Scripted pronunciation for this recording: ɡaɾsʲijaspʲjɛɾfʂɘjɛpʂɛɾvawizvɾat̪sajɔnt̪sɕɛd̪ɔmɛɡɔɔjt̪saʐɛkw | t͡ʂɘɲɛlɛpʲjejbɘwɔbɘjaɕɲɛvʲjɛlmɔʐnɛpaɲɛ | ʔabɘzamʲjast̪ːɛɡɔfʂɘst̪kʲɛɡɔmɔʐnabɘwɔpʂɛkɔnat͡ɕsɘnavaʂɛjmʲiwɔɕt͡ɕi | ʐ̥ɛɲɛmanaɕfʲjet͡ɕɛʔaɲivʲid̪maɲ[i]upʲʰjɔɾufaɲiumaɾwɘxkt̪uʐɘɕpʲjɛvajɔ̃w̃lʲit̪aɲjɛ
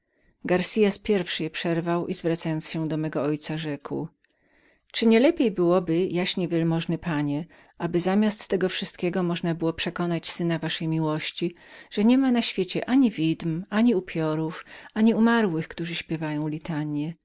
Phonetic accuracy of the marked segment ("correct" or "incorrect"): correct